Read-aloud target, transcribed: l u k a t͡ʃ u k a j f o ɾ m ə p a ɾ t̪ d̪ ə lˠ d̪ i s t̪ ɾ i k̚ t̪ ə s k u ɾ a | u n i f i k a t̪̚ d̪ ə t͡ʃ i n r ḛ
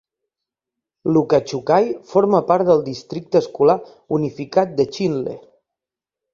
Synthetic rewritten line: l u k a t͡ʃ u k a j f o ɾ m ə p a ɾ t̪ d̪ ə lˠ d̪ i s t̪ ɾ i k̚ t̪ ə s k u l a | u n i f i k a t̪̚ d̪ ə t͡ʃ i n l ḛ